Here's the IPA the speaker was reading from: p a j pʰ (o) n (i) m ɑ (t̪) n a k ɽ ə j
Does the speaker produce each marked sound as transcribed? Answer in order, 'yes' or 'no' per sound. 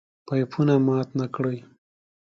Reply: no, no, yes

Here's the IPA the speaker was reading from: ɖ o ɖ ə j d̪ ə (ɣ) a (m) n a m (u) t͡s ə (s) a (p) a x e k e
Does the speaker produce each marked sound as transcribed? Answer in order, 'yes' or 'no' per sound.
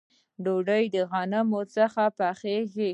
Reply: yes, no, no, no, yes

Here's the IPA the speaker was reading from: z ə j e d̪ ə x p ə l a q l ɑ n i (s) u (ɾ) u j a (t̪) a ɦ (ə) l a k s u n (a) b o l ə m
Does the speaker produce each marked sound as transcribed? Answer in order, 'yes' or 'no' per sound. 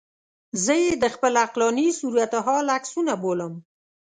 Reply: yes, yes, yes, no, yes

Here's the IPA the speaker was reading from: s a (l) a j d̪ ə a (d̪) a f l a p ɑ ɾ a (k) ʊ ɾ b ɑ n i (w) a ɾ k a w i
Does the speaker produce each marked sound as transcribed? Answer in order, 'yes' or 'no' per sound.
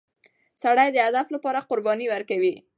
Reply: no, yes, no, yes

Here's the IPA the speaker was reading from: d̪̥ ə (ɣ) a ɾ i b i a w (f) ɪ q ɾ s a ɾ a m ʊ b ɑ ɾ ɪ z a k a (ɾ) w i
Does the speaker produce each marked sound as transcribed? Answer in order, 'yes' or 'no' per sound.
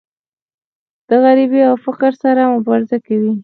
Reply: yes, yes, no

